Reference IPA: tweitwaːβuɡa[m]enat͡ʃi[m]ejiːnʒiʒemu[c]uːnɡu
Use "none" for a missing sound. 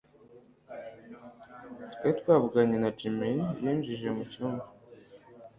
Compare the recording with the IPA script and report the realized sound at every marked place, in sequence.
ɲ, m, c

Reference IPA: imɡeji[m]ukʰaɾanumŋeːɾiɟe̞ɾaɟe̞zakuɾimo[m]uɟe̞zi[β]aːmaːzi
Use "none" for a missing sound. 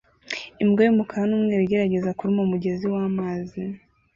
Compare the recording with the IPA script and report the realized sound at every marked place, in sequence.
m, m, w

